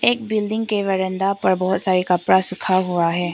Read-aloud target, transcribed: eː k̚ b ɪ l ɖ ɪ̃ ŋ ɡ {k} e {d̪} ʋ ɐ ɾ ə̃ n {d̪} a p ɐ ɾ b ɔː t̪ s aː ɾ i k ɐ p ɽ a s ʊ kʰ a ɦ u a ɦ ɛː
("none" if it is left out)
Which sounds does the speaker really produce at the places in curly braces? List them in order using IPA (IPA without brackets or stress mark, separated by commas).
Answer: k, none, d̪